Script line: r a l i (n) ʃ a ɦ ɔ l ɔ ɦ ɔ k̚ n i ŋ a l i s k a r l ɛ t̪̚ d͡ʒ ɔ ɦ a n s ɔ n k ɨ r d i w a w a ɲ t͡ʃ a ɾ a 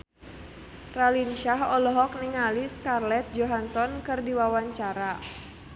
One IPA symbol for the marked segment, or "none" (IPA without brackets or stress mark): n